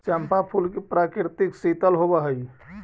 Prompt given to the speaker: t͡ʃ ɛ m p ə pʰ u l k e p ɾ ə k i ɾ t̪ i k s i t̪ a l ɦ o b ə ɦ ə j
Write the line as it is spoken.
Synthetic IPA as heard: t͡ʃ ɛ m p a pʰ u l k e p ɾ a k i ɾ t̪ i k s i t̪ ə l ɦ o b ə ɦ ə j